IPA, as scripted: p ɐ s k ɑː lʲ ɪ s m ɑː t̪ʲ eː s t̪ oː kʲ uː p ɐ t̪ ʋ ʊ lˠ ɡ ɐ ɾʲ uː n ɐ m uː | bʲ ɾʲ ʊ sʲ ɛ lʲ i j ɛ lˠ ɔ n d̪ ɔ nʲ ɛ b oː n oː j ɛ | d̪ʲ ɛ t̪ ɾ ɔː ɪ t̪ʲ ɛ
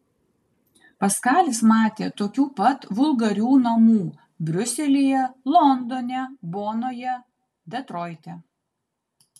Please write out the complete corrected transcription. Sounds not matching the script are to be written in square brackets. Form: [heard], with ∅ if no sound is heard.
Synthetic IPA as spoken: p ɐ s k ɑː lʲ ɪ s m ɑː t̪ʲ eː [∅] t̪ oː kʲ uː p ɐ t̪ ʋ ʊ lˠ ɡ ɐ ɾʲ uː n ɐ m uː | bʲ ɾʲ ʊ sʲ ɛ lʲ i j ɛ lˠ ɔ n d̪ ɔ nʲ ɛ b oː n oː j ɛ | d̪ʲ ɛ t̪ ɾ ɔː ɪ t̪ʲ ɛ